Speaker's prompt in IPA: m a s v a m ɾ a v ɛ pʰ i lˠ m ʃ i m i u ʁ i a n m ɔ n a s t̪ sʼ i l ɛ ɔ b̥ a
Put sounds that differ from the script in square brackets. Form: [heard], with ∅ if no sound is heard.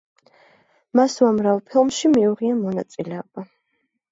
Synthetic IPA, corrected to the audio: m a s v a m ɾ a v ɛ pʰ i lˠ m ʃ i m i u ʁ i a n m ɔ n a [∅] t̪ sʼ i l ɛ ɔ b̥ a